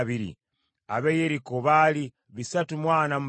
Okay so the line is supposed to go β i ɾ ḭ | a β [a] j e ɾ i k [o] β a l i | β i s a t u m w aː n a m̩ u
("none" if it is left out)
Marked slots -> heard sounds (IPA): e, o

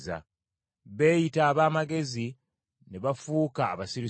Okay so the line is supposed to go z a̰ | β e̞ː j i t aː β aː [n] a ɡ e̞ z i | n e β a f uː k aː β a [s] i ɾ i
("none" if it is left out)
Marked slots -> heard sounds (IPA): m, s

